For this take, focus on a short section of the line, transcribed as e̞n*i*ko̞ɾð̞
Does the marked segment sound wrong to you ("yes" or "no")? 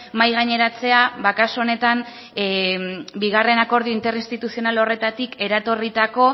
yes